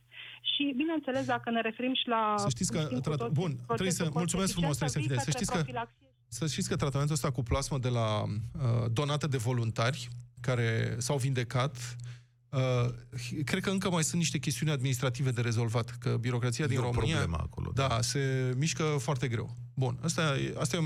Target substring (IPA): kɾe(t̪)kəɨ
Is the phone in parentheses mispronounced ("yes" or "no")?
yes